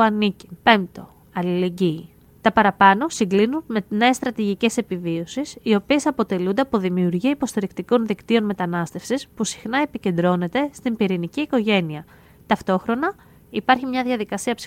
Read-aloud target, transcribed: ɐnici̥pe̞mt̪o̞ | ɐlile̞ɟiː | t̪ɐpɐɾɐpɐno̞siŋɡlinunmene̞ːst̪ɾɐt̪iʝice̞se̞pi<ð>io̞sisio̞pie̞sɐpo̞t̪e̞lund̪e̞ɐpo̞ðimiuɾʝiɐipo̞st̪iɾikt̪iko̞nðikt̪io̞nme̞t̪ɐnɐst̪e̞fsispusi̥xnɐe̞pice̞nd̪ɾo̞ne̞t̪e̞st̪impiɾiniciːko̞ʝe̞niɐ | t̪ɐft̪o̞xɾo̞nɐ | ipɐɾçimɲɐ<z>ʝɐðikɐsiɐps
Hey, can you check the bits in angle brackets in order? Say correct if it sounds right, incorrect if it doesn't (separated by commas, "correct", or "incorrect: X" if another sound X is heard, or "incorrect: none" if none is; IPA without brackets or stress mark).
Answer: incorrect: v, incorrect: ð